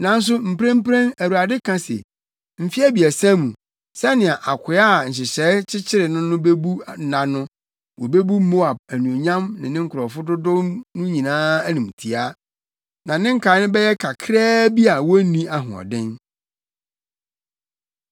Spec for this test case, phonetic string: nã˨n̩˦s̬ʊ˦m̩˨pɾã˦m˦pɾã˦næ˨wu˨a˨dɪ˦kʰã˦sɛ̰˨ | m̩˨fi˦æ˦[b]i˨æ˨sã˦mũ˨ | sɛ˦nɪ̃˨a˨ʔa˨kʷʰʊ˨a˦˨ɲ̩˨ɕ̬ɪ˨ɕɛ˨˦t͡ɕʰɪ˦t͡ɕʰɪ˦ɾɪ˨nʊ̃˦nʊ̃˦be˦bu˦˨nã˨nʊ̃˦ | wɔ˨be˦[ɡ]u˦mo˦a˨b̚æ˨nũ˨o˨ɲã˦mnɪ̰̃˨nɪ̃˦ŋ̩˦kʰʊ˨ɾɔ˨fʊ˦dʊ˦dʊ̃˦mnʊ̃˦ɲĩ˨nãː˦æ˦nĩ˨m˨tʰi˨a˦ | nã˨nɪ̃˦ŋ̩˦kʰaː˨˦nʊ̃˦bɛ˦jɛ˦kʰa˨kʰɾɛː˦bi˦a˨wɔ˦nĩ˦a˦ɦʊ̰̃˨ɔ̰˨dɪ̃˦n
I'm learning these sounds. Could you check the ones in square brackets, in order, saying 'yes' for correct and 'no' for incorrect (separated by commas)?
yes, no